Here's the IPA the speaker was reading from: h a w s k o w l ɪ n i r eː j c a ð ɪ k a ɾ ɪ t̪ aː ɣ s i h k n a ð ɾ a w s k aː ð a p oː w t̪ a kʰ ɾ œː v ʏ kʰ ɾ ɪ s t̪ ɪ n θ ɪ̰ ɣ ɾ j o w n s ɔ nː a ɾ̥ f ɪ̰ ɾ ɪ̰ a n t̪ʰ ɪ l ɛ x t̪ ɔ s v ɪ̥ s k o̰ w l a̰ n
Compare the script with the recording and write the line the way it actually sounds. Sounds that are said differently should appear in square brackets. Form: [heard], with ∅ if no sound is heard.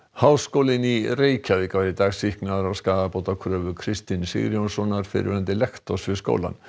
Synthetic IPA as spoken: h a w s k o w l ɪ n i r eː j c a [v] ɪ k a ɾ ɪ t̪ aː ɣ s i h k n a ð ɾ a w s k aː ð a p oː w t̪ a kʰ ɾ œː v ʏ kʰ ɾ ɪ s t̪ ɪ n [s] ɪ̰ ɣ ɾ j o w n s ɔ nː a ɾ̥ f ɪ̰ ɾ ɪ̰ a n [t̪] ɪ l ɛ x t̪ ɔ s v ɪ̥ s k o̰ w l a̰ n